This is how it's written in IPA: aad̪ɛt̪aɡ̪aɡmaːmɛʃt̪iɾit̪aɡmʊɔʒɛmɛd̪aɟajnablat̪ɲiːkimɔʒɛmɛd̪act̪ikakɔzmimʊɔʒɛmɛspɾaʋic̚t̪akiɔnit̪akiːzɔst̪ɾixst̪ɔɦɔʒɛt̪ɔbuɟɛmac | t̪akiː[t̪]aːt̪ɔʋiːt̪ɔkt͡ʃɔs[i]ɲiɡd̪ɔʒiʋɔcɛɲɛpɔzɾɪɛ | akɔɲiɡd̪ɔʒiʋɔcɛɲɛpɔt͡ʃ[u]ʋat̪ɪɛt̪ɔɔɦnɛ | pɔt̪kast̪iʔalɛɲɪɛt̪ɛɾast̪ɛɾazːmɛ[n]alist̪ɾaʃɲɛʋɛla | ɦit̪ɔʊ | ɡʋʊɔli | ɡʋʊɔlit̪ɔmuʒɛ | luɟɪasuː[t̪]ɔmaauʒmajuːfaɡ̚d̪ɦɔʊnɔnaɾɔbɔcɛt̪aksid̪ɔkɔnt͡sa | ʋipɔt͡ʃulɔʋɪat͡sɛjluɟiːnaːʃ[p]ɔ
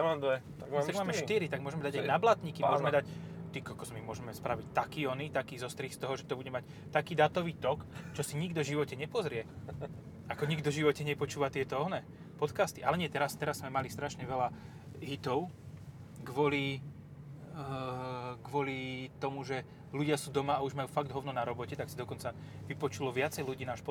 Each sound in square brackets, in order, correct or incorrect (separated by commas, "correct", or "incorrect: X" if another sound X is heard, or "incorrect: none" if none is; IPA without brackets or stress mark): incorrect: d̪, correct, incorrect: uː, incorrect: m, incorrect: d̪, correct